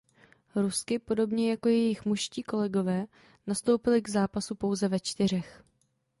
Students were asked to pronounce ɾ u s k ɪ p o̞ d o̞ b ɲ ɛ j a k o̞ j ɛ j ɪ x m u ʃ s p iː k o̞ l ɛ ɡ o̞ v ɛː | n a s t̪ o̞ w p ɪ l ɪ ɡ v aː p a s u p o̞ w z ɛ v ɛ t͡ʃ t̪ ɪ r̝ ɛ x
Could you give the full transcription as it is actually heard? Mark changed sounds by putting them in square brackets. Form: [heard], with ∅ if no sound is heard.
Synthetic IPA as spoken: ɾ u s k ɪ p o̞ d o̞ b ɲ ɛ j a k o̞ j ɛ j ɪ x m u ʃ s [c] iː k o̞ l ɛ ɡ o̞ v ɛː | n a s t̪ o̞ w p ɪ l ɪ ɡ [z] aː p a s u p o̞ w z ɛ v ɛ t͡ʃ t̪ ɪ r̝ ɛ x